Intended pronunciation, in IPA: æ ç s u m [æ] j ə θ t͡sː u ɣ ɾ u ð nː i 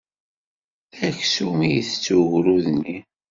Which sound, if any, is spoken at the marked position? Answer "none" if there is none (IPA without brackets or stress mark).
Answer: i